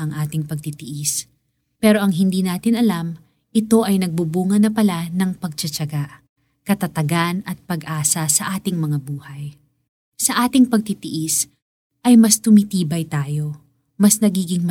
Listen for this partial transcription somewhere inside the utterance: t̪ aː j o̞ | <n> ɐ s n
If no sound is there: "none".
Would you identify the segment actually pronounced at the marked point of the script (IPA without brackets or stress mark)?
m